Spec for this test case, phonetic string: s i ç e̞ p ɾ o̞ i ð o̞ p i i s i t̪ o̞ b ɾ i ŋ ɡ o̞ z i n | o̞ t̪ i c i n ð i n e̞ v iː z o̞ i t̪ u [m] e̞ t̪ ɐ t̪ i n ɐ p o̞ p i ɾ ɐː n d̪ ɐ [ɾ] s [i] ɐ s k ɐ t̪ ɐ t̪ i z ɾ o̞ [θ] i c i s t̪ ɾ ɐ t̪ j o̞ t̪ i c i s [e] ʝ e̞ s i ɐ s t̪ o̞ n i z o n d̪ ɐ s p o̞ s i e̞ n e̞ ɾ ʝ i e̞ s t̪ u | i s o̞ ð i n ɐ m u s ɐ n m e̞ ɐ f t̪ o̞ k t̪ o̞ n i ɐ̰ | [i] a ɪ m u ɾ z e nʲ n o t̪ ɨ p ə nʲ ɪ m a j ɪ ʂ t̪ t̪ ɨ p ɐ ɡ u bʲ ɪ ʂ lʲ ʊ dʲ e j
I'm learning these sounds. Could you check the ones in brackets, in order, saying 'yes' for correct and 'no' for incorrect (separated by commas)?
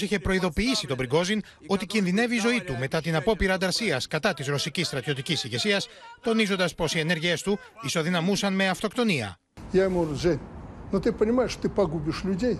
yes, yes, yes, no, no, no